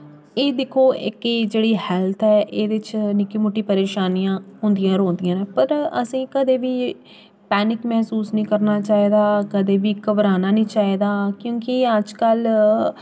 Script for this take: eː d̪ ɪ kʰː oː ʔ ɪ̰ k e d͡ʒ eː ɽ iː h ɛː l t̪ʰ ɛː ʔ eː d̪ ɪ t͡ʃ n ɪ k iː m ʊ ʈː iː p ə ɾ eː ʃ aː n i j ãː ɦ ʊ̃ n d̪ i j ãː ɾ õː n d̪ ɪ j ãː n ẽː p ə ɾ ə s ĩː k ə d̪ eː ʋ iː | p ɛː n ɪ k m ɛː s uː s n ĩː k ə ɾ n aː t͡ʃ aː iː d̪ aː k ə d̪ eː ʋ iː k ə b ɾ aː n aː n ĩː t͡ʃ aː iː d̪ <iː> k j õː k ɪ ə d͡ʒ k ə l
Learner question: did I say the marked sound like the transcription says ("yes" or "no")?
no